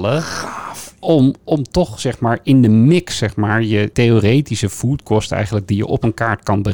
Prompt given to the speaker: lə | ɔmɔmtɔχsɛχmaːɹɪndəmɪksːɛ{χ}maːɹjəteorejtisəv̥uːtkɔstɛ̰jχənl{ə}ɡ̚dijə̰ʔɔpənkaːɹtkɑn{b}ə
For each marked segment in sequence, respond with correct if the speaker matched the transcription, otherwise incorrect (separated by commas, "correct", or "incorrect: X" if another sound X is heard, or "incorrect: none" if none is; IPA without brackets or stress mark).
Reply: correct, correct, correct